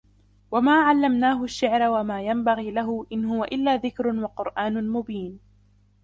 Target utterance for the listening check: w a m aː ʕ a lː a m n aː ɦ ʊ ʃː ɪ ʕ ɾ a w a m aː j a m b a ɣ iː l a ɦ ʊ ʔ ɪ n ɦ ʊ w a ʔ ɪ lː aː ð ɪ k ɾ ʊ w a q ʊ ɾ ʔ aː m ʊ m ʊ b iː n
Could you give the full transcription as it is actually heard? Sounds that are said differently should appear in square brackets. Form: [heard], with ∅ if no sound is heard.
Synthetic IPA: w a m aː ʕ a lː a m n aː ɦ ʊ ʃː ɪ ʕ ɾ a w a m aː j a m b a ɣ iː l a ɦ ʊ ʔ ɪ n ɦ ʊ w a ʔ ɪ lː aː ð ɪ k ɾ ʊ w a q ʊ ɾ ʔ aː [n] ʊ m ʊ b iː n